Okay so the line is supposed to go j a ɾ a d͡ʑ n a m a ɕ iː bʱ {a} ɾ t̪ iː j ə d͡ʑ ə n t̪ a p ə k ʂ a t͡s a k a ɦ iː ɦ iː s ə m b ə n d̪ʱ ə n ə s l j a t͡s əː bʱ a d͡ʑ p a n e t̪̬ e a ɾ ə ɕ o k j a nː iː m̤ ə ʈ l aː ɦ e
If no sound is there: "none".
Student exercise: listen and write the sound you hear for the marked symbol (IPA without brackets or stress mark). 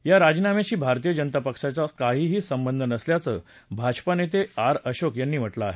a